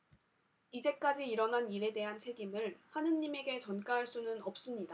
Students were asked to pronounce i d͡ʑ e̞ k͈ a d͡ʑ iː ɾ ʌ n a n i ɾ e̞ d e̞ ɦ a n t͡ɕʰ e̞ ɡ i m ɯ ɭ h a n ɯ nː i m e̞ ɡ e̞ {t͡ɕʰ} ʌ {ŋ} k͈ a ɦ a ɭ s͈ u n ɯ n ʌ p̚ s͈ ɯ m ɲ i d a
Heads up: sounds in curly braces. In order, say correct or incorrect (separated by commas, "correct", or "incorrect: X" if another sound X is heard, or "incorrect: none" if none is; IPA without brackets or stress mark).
incorrect: t͡ɕ, incorrect: n